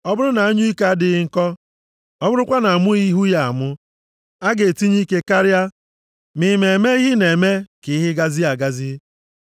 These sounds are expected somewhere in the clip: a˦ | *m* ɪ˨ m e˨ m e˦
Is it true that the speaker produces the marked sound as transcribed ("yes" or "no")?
yes